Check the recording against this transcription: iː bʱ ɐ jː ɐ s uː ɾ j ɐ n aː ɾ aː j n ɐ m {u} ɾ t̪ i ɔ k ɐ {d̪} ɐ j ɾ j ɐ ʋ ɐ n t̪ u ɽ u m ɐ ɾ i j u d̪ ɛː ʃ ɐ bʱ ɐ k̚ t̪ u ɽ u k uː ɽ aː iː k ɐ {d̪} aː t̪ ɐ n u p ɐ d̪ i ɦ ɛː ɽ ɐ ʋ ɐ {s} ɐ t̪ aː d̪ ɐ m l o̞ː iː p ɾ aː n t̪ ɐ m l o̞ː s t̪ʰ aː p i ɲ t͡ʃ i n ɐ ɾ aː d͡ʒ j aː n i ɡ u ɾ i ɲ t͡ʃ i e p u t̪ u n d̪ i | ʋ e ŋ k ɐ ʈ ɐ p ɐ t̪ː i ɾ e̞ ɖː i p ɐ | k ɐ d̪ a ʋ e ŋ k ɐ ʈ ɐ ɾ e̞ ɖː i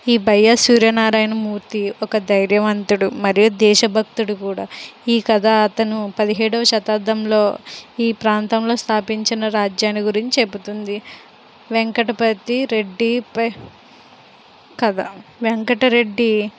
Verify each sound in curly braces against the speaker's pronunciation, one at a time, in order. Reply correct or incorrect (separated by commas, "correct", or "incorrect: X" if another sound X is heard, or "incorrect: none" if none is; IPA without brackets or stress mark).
incorrect: uː, correct, correct, incorrect: ʃ